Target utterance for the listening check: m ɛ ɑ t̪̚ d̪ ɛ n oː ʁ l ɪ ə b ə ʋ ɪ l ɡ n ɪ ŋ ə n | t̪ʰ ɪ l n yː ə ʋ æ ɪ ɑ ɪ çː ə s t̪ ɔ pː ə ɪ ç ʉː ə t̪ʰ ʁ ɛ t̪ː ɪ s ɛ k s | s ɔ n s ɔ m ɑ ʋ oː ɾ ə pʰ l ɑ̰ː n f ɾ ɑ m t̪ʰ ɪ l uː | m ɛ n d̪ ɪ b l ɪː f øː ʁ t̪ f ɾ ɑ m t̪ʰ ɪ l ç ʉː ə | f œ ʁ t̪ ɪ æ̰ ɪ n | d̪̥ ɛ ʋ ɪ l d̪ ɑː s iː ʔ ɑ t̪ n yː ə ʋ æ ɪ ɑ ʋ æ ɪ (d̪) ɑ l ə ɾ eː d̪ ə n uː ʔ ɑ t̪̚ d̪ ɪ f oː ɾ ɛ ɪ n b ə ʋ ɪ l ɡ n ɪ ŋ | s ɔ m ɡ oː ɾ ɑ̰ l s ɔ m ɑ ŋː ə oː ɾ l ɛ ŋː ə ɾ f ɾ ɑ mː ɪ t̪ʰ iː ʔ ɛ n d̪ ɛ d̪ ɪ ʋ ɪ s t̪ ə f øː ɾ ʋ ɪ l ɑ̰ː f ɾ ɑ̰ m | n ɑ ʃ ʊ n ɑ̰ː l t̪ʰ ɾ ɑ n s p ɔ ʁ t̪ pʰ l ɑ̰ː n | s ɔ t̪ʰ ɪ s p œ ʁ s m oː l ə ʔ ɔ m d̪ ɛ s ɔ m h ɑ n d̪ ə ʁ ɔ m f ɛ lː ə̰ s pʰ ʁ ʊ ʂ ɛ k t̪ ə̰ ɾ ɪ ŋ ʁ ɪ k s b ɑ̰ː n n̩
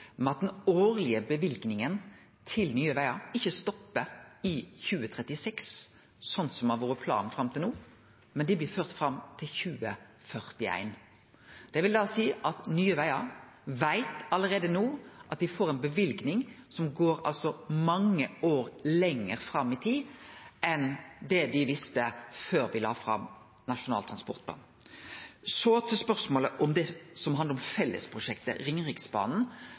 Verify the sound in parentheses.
incorrect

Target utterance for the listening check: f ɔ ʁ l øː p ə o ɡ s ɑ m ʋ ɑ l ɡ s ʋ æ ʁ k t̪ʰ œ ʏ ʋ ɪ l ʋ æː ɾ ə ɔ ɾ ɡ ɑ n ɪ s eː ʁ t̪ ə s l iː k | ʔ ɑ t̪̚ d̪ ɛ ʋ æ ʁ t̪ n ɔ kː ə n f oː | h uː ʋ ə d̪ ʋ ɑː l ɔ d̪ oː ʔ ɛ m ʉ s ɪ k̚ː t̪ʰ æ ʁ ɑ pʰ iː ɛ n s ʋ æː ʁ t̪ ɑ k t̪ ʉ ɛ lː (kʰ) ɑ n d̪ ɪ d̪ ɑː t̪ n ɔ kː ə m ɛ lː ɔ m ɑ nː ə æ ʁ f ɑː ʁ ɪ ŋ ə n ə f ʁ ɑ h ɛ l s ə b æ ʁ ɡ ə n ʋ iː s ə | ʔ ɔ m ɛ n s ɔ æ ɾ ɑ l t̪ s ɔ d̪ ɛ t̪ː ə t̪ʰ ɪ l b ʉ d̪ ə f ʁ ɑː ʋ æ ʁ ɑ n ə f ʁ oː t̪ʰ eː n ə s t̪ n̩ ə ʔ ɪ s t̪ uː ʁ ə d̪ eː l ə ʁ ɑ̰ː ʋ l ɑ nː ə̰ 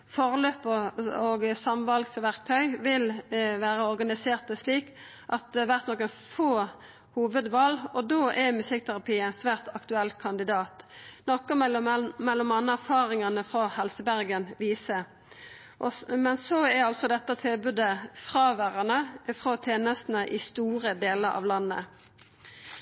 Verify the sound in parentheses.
correct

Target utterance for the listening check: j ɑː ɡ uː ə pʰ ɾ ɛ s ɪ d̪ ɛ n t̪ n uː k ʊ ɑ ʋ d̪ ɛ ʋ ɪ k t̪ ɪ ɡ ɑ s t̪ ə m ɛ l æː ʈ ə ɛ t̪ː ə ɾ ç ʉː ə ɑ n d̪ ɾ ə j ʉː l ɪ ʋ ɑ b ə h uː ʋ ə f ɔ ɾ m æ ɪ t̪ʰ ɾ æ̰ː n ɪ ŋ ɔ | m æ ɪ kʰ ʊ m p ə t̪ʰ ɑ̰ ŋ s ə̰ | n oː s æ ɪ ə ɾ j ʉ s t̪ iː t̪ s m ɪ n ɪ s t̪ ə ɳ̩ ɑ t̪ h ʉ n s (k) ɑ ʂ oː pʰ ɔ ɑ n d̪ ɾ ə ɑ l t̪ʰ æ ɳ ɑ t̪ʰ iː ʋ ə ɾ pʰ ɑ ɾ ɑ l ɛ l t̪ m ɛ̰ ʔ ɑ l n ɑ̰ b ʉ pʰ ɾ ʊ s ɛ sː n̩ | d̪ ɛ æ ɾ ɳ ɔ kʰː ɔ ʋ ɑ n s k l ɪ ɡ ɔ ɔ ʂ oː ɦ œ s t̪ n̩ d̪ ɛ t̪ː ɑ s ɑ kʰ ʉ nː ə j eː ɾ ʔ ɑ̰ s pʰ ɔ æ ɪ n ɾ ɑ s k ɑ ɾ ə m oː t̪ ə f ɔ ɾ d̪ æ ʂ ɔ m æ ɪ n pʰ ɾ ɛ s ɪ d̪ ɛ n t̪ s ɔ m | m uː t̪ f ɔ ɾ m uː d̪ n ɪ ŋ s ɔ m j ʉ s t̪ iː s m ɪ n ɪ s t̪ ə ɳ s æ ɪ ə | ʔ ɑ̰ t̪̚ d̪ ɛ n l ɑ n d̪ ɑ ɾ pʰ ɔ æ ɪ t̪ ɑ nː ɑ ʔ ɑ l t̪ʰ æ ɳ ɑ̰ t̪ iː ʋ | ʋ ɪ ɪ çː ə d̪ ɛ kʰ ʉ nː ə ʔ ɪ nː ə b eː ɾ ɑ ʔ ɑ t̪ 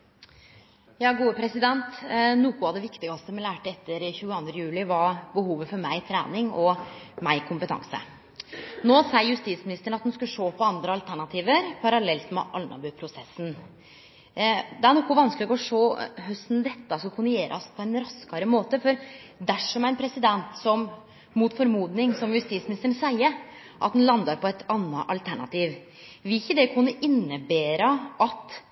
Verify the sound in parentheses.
correct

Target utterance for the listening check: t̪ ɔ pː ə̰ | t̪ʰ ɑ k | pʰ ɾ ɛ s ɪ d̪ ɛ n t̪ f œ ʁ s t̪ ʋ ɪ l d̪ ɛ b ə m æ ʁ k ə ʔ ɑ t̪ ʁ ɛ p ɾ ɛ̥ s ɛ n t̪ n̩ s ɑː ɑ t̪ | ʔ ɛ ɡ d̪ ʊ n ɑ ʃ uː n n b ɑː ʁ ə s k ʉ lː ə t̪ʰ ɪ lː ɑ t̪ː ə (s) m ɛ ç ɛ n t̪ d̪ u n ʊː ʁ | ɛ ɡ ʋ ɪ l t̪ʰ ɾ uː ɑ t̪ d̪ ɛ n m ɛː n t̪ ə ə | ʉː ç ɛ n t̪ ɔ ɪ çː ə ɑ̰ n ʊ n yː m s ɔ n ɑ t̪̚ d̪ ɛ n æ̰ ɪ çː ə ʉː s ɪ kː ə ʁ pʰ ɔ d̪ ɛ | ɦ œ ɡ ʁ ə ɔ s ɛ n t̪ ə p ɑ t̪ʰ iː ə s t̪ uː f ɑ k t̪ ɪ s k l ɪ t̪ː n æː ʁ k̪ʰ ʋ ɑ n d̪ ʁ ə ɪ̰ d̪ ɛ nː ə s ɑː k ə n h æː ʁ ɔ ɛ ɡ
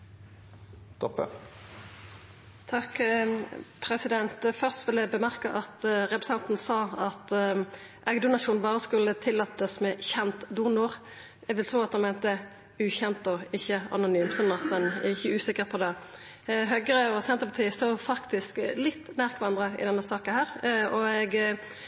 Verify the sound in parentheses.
correct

